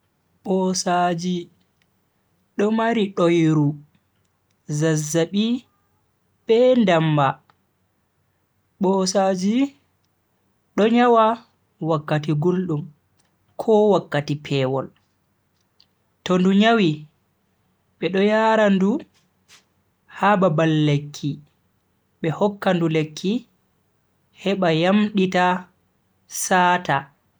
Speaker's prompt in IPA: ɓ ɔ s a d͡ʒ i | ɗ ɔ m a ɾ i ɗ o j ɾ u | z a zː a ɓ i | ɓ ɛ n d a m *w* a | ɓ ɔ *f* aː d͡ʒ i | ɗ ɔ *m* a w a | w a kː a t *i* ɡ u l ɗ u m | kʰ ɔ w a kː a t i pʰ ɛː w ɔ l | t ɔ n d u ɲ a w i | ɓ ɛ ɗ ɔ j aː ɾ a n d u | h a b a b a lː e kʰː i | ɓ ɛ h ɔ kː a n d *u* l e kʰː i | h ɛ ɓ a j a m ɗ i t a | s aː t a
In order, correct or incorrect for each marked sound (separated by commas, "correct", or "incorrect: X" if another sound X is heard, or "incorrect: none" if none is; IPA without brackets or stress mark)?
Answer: incorrect: b, incorrect: s, incorrect: ɲ, correct, correct